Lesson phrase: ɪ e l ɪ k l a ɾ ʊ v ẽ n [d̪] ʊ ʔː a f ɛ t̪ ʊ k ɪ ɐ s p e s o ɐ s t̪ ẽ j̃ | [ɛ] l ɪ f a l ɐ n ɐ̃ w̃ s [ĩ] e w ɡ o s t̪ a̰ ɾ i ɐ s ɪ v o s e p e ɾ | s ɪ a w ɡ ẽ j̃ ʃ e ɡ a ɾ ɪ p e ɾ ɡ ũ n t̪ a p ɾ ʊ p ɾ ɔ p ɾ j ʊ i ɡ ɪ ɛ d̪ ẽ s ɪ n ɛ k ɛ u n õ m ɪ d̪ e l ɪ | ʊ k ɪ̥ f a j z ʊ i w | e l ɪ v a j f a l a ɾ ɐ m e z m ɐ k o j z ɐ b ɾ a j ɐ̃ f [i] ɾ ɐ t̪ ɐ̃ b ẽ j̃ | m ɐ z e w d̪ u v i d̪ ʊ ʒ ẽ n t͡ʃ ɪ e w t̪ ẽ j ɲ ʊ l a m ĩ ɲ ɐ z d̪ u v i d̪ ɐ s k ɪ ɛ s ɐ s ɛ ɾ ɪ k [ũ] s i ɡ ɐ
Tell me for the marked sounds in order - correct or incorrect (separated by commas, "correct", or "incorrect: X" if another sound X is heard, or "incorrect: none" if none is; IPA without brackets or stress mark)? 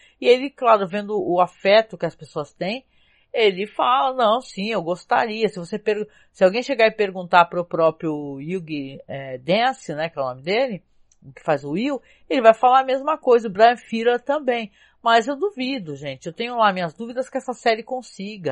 correct, incorrect: e, correct, correct, incorrect: õ